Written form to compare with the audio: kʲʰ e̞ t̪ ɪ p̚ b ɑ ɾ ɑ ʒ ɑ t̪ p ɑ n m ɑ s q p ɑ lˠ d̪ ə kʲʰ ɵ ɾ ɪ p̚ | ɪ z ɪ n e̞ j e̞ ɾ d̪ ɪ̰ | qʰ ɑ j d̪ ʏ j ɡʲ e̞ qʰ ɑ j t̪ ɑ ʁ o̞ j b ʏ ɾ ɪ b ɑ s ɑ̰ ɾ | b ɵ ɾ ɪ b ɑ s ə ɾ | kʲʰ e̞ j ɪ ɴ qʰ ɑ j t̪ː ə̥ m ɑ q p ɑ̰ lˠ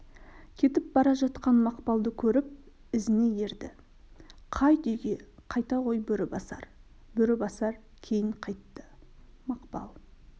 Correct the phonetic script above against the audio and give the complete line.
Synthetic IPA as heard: kʲʰ e̞ t̪ ɪ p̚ b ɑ ɾ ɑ ʒ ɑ t̪ q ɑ n m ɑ q p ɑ lˠ d̪ ə kʲʰ ɵ ɾ ɪ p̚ | ɪ z ɪ n e̞ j e̞ ɾ d̪ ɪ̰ | qʰ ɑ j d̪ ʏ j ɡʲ e̞ qʰ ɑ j t̪ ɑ ʁ o̞ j b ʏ ɾ ɪ b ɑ s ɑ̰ ɾ | b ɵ ɾ ɪ b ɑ s ɑ ɾ | kʲʰ e̞ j ɪ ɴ qʰ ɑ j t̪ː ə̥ m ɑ q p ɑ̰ lˠ

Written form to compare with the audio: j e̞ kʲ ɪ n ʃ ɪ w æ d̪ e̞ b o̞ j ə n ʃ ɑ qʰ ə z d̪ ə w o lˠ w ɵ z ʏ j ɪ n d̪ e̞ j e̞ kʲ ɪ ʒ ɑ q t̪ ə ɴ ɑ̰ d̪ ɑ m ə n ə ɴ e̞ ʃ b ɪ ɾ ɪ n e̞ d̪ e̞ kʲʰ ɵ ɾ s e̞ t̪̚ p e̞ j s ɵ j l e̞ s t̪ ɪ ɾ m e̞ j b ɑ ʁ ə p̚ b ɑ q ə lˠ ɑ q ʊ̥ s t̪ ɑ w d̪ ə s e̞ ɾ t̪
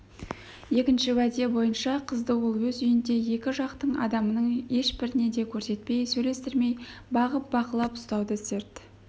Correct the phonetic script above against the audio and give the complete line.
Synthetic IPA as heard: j e̞ kʲ ɪ n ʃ ɪ w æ d̪ e̞ b o̞ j ə n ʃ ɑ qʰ ə z d̪ ə w o lˠ w ɵ z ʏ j ɪ n d̪ e̞ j e̞ kʲ ɪ ʒ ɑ q t̪ ə ɴ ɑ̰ d̪ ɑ m ə n ə ɴ e̞ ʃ b ɪ ɾ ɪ n e̞ d̪ e̞ kʲʰ ɵ ɾ s e̞ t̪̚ p e̞ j s ɵ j l e̞ s t̪ ɪ ɾ m e̞ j b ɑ ʁ ə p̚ b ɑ q ə lˠ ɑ p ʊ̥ s t̪ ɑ w d̪ ə s e̞ ɾ t̪

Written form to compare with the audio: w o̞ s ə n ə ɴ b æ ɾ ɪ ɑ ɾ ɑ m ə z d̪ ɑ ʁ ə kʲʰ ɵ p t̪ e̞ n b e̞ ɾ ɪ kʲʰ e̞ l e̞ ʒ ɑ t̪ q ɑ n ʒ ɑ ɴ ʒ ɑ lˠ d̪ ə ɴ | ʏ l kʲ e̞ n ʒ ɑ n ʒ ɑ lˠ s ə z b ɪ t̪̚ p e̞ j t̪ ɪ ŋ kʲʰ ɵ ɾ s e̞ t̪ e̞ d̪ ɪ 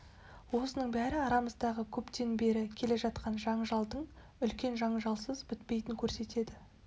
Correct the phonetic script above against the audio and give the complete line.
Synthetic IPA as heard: w o̞ s ə n ə ɴ b æ ɾ ɪ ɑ ɾ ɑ m ə z d̪ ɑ ʁ ə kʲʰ ɵ p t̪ e̞ n b e̞ ɾ ɪ kʲʰ e̞ l e̞ ʒ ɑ t̪ q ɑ n ʒ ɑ ɴ ʒ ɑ lˠ d̪ ə ɴ | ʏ l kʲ e̞ n ʒ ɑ ɴ ʒ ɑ lˠ s ə z b ɪ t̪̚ p e̞ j t̪ ɪ ŋ kʲʰ ɵ ɾ s e̞ t̪ e̞ d̪ ɪ

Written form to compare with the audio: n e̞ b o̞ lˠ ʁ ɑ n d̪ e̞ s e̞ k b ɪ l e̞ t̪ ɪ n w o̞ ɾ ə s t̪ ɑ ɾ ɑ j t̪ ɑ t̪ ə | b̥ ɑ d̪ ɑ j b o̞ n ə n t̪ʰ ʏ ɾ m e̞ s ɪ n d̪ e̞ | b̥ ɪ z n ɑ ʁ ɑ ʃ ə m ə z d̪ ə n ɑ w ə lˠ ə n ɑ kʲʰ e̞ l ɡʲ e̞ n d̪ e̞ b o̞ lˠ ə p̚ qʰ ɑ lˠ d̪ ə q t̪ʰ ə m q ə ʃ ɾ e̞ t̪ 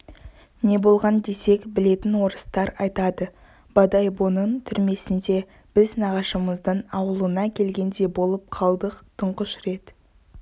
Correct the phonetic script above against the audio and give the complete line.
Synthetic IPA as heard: n e̞ b o̞ lˠ ʁ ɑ n d̪ e̞ s e̞ k b ɪ l e̞ t̪ ɪ n w o̞ ɾ ə s t̪ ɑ ɾ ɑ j t̪ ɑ d̪ ə | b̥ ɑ d̪ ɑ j b o̞ n ə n t̪ʰ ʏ ɾ m e̞ s ɪ n d̪ e̞ | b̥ ɪ z n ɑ ʁ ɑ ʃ ə m ə z d̪ ə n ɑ w ə lˠ ə n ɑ kʲʰ e̞ l ɡʲ e̞ n d̪ e̞ b o̞ lˠ ə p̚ qʰ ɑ lˠ d̪ ə q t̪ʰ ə ɴ q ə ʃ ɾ e̞ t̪

